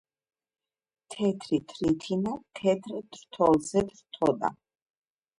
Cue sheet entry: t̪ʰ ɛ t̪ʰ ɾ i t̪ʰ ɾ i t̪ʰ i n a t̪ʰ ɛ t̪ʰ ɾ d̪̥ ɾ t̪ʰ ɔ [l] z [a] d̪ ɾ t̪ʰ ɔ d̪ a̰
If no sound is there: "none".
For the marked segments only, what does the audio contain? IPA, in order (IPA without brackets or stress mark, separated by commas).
l, ɛ